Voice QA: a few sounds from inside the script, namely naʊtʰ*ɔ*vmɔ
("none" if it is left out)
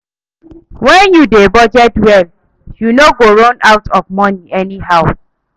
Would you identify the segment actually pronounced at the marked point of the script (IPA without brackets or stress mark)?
ɔ